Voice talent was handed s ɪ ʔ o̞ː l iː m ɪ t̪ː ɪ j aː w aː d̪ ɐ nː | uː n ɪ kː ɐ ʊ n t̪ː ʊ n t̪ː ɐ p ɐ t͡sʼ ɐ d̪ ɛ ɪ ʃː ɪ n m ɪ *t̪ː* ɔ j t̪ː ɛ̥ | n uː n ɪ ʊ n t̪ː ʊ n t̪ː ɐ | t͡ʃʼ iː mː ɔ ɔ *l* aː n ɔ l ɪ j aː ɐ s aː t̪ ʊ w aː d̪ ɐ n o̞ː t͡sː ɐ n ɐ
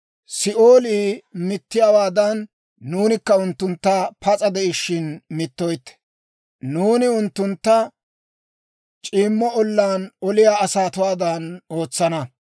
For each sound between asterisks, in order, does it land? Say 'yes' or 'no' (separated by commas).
yes, no